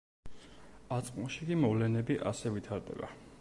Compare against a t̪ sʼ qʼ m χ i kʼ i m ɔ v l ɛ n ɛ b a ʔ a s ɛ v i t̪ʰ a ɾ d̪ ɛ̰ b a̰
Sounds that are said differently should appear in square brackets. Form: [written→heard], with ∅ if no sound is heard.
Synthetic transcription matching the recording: a t̪ sʼ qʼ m [χ→ʃ] i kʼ i m ɔ v l ɛ n ɛ b [a→i] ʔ a s ɛ v i t̪ʰ a ɾ d̪ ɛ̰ b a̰